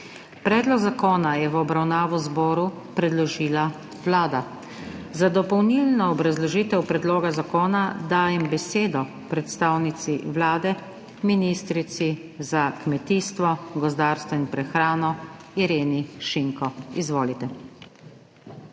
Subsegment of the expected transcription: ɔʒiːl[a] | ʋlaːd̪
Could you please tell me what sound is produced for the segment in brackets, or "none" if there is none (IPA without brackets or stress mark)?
a